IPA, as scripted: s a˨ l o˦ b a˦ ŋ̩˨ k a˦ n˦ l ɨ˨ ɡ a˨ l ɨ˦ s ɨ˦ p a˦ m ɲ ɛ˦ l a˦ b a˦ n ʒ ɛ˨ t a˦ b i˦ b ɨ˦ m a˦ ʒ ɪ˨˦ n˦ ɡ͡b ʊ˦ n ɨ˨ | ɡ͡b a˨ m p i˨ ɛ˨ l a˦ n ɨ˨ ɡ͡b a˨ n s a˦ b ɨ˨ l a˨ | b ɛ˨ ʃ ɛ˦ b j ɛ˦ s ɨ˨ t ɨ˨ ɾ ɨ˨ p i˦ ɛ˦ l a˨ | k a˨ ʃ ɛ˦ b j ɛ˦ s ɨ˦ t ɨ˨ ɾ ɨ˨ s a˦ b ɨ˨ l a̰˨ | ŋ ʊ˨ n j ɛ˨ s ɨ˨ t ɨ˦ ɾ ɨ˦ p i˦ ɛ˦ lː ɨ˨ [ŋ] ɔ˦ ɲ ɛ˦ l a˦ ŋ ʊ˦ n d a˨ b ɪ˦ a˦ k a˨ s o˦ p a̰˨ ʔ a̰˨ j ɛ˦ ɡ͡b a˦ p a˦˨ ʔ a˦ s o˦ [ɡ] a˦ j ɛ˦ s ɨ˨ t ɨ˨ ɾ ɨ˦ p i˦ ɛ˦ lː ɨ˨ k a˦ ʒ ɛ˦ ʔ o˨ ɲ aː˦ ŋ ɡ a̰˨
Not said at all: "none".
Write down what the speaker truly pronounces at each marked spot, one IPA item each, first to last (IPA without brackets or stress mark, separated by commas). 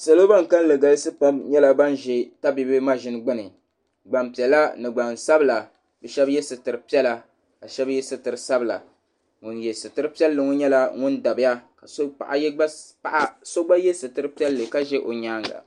ŋ, ɡ͡b